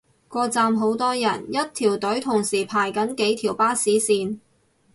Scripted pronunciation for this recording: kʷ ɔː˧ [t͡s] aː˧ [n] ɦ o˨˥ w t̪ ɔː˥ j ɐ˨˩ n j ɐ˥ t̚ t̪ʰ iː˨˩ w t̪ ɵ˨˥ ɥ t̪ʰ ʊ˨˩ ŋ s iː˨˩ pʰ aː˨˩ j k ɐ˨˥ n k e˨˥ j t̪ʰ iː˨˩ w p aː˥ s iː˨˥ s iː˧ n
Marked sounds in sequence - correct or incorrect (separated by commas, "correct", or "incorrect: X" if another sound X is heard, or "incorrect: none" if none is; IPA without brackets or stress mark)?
correct, incorrect: m